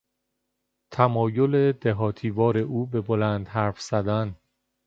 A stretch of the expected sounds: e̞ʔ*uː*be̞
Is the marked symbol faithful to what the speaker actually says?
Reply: yes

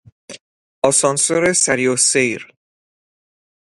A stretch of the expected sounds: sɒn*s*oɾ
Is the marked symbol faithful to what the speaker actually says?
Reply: yes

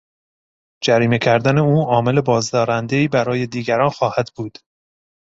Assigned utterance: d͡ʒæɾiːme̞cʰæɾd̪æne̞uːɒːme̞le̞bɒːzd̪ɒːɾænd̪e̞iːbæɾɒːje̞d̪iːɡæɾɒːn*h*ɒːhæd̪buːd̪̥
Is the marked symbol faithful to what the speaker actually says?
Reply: no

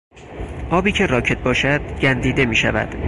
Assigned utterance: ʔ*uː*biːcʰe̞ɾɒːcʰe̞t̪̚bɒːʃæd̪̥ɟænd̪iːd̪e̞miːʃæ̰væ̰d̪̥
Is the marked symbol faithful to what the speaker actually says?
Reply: no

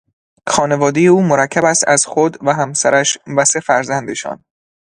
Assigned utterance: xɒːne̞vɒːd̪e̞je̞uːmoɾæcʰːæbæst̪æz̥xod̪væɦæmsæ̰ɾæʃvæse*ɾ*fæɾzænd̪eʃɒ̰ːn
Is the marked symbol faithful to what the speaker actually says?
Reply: no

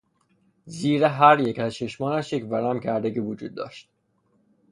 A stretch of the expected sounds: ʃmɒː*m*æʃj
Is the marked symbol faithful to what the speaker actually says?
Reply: no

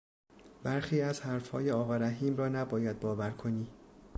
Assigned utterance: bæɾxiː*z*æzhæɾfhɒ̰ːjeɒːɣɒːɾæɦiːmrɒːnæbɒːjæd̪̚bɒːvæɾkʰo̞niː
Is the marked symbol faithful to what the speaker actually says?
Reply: no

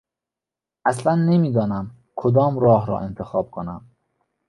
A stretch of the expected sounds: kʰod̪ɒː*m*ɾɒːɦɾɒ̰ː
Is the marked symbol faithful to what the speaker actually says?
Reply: yes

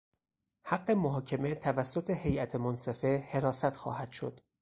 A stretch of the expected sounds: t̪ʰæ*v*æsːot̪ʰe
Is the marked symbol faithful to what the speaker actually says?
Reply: yes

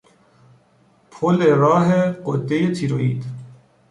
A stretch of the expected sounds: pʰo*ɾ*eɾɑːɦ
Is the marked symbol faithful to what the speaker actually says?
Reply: no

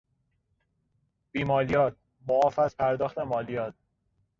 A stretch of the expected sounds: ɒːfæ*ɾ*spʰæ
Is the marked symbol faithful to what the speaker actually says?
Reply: no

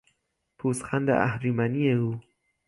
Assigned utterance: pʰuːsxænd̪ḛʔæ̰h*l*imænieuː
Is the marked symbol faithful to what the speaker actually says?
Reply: no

